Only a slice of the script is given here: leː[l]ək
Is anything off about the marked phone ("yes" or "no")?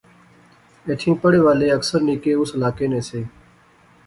yes